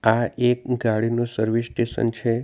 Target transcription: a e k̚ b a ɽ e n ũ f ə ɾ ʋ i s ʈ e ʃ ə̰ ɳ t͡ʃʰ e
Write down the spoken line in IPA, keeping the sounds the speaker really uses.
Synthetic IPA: a e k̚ ɡ a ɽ i n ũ s ə ɾ ʋ i s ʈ e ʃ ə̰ n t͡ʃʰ e